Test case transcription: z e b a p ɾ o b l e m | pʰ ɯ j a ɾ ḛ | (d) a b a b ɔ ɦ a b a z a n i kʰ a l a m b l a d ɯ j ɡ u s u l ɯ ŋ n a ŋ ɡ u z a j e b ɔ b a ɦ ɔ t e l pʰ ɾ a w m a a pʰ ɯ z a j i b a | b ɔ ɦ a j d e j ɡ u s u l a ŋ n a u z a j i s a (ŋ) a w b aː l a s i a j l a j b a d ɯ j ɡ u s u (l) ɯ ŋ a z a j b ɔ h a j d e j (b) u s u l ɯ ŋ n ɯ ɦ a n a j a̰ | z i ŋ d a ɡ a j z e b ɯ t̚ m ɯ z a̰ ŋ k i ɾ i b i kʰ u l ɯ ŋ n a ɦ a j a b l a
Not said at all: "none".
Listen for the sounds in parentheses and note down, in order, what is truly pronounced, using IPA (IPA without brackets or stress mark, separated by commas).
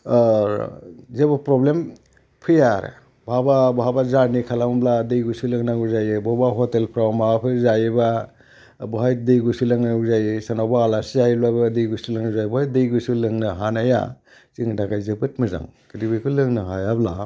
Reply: b, n, l, ɡ